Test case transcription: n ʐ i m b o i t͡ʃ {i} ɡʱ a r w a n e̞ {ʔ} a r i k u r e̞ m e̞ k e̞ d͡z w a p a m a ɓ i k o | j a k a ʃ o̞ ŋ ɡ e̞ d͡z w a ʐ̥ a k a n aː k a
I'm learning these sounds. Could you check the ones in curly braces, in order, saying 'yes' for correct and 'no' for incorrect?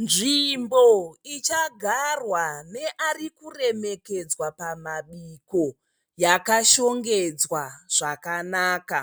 no, yes

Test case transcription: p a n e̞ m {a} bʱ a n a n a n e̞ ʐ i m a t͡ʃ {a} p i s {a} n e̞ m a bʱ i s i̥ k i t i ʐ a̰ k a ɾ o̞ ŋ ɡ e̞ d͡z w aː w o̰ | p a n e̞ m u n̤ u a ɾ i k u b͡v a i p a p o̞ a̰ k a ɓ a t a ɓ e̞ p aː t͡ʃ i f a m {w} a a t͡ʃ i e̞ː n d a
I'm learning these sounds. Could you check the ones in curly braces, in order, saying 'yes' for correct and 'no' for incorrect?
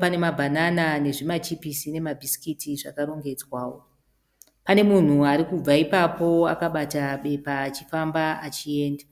yes, no, no, no

